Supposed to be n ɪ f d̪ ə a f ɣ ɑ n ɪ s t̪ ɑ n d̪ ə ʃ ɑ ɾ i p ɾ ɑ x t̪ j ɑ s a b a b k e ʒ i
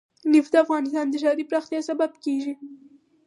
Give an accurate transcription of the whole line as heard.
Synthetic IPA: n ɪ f d̪ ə a f ɣ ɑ n ɪ s t̪ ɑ n d̪ ə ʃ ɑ ɾ i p ɾ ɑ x t̪ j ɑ s a b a b k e ʒ i

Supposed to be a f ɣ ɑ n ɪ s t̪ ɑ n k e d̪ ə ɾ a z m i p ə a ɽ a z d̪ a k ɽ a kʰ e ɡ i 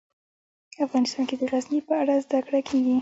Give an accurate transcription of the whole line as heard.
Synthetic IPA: a f ɣ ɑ n ɪ s t̪ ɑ n k e d̪ ə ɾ a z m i p ə a ɽ a z d̪ a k ɽ a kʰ e ɡ i

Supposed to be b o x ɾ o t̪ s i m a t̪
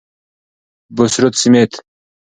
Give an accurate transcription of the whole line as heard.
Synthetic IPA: b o s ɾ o t̪ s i m e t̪

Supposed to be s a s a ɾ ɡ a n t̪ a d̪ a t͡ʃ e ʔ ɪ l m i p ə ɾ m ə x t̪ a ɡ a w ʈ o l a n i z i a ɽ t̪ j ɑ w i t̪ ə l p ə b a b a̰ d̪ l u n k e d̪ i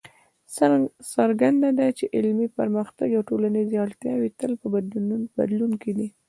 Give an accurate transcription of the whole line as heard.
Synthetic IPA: s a s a ɾ ɡ a n d̪ a d̪ a t͡ʃ e ʔ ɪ l m i p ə ɾ m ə x t̪ a ɡ a w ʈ o l a n i z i a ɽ t̪ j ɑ w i t̪ ə l p ə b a b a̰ d̪ l u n k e d̪ i

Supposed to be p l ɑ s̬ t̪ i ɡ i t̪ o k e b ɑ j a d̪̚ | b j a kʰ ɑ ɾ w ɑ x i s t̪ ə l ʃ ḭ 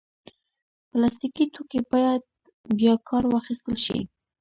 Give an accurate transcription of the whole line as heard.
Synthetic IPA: p l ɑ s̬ t̪ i k i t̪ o k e b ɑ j a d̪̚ | b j ɑ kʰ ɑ ɾ w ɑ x i s t̪ ə l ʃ ḭ

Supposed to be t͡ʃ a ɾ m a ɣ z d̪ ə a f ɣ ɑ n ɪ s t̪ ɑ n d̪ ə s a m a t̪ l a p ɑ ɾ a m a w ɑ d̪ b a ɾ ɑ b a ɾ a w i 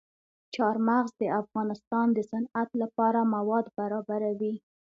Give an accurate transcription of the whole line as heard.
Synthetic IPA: t͡ʃ ɑ ɾ m a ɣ z d̪ ə a f ɣ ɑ n ɪ s t̪ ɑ n d̪ ə s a n a t̪ l a p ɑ ɾ a m a w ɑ d̪ b a ɾ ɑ b a ɾ a w i

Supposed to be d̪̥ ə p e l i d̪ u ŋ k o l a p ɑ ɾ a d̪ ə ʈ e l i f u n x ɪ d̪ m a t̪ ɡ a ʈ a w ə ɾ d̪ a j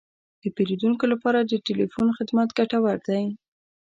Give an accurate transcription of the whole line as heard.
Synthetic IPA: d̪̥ ə p e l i d̪ u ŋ k o l a p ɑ ɾ a d̪ ə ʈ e l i f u n x ɪ d̪ m a t̪ ɡ a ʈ a w a ɾ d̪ a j

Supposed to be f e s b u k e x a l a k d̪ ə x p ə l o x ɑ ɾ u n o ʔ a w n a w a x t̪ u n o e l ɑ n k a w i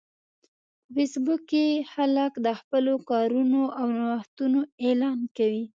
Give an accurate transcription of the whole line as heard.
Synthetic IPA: f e s b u k e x a l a k d̪ ə x p ə l o k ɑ ɾ u n o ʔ a w n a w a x t̪ u n o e l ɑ n k a w i

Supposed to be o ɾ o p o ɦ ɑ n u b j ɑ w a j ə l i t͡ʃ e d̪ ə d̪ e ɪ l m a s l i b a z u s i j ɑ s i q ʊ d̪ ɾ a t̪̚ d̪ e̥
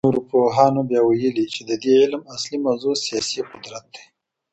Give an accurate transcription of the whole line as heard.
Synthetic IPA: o ɾ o p o ɦ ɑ n o b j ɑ w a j ə l i t͡ʃ e d̪ ə d̪ e ɪ l m a s l i m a z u s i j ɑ s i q ʊ d̪ ɾ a t̪̚ d̪ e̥

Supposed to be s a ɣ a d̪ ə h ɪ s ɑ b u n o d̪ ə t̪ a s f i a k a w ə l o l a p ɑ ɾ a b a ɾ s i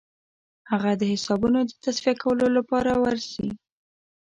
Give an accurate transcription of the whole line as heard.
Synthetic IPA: h a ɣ a d̪ ə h ɪ s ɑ b u n o d̪ ə t̪ a s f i a k a w ə l o l a p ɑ ɾ a w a ɾ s i

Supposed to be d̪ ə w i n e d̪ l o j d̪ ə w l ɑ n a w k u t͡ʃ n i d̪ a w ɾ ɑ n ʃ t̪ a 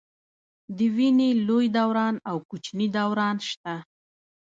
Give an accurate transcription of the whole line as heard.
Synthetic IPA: d̪ ə w i n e l o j d̪ a w ɾ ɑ n a w k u t͡ʃ n i d̪ a w ɾ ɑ n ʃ t̪ a

